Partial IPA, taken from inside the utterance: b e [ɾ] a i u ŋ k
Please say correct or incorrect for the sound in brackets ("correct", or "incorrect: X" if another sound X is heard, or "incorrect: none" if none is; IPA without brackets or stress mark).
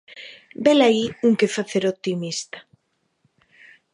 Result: incorrect: l